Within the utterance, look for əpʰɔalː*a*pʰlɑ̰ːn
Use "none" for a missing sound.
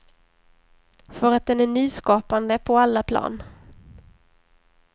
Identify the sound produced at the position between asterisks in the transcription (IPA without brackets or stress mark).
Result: a